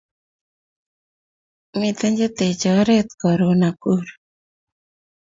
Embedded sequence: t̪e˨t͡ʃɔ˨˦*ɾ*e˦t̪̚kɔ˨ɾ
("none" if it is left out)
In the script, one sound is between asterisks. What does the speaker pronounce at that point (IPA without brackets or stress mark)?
ɾ